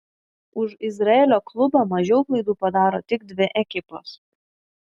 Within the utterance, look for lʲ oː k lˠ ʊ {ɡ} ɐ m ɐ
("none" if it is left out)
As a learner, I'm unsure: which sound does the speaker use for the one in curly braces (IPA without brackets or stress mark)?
b